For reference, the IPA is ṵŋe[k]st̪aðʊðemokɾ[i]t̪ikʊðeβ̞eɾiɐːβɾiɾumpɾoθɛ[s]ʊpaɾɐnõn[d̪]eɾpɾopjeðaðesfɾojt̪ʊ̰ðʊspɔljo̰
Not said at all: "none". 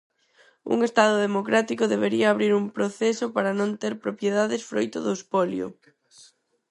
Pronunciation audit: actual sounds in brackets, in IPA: none, a, s, t̪

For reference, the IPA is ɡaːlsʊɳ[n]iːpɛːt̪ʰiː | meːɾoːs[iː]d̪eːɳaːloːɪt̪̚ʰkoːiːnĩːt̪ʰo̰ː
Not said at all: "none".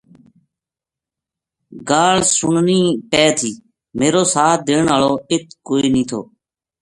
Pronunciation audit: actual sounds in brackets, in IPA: n, aː

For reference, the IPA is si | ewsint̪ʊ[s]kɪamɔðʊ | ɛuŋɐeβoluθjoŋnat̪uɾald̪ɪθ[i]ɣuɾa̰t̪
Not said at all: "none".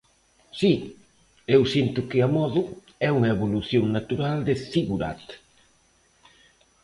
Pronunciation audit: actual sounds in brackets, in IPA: none, i

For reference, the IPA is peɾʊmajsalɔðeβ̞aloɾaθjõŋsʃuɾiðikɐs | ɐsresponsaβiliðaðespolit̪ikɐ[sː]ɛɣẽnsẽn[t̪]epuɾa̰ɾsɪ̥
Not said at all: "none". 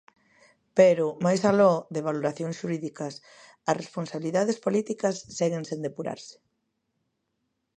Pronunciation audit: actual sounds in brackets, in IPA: sː, d̪

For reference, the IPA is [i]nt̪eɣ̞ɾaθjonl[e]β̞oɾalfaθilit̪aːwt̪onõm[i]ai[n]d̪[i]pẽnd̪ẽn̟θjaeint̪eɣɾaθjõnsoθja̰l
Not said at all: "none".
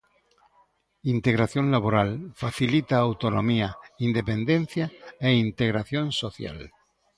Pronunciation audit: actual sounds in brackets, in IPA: i, a, i, n, e

